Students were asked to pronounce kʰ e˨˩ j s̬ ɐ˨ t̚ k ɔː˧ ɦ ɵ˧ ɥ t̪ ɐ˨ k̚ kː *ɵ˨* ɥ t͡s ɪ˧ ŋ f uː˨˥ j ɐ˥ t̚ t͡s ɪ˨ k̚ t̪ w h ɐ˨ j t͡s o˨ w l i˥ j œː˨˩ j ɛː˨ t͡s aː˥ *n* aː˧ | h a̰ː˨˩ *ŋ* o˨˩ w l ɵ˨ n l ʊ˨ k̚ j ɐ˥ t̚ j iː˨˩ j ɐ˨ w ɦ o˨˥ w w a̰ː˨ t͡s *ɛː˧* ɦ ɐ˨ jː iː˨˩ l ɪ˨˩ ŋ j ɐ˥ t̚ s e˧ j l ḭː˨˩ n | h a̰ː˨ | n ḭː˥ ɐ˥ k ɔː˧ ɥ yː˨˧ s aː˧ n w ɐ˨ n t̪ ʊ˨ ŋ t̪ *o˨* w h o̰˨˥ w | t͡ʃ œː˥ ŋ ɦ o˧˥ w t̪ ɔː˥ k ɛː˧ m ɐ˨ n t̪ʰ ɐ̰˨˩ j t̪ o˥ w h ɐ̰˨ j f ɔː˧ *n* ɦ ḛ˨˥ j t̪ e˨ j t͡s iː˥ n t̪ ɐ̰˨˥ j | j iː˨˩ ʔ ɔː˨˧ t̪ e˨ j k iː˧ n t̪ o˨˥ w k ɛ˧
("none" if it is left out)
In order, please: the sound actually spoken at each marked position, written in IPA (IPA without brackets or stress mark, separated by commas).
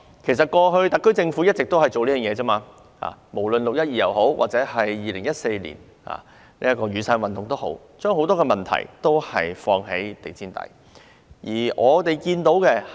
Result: ɵ˥, m, m, ɛː˨˥, o˥, ŋ